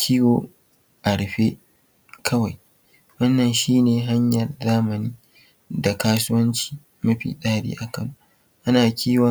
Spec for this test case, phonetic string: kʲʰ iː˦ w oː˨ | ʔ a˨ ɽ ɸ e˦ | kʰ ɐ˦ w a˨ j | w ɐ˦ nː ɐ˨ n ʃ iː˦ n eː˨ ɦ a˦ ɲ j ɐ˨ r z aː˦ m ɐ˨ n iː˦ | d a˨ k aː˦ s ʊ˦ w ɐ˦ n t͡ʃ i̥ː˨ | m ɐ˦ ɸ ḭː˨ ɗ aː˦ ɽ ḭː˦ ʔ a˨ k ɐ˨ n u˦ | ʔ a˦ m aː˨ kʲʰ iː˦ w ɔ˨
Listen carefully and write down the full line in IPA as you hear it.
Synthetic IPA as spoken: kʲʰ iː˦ w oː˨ | ʔ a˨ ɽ ɸ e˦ | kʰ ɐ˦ w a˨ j | w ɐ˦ nː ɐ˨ n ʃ iː˦ n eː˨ ɦ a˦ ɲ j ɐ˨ r z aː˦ m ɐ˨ n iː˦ | d a˨ k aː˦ s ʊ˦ w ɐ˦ n t͡ʃ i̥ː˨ | m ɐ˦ ɸ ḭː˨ ɗ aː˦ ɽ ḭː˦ ʔ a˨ k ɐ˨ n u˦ | ʔ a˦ n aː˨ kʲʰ iː˦ w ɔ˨